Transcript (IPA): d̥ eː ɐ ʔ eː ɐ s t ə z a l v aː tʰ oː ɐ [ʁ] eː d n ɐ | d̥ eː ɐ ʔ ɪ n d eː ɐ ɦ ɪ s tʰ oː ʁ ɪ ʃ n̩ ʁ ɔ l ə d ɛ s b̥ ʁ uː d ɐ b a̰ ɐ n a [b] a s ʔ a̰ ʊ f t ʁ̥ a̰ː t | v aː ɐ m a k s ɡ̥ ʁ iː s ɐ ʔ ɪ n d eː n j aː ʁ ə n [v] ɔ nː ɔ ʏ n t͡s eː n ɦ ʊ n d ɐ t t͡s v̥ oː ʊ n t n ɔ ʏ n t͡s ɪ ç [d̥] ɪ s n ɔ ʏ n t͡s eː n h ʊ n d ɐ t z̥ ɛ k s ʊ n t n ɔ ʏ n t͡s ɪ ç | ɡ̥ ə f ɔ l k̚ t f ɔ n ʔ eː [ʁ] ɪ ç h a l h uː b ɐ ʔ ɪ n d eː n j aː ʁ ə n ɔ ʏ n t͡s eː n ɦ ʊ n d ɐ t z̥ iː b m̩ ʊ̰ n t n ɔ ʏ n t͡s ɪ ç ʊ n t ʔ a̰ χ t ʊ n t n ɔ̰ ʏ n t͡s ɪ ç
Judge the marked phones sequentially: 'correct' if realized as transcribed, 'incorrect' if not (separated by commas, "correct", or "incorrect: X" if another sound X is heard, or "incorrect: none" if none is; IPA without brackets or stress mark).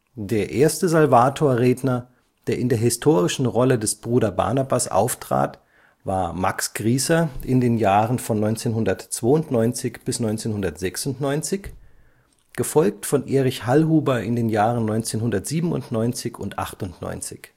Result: correct, correct, incorrect: f, incorrect: b̥, correct